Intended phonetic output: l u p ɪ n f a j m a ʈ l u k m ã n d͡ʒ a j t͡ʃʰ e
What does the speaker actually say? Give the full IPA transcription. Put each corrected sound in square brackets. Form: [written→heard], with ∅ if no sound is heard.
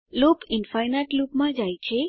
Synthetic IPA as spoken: l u p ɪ n f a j [m→n] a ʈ l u [k→p] m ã [n→∅] d͡ʒ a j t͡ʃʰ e